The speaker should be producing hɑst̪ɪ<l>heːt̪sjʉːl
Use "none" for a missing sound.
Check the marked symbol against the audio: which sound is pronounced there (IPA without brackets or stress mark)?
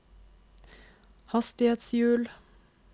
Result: none